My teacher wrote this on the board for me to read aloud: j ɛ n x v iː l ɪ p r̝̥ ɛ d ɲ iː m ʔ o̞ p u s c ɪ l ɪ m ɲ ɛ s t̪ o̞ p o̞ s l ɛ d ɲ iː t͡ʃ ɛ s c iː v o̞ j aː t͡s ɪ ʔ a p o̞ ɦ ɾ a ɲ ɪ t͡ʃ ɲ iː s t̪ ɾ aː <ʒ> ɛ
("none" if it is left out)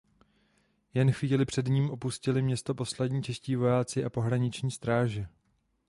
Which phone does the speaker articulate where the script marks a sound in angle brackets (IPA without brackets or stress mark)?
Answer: ʒ